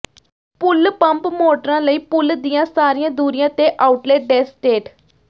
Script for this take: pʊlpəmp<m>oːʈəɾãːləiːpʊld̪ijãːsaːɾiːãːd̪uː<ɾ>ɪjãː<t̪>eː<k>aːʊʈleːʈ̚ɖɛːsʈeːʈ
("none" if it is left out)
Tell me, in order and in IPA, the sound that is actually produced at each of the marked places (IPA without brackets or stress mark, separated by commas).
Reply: m, ɾ, t̪, ʔ